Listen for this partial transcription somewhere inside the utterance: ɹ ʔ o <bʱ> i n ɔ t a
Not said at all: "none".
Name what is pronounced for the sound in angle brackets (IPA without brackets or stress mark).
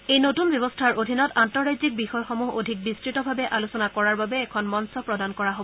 dʱ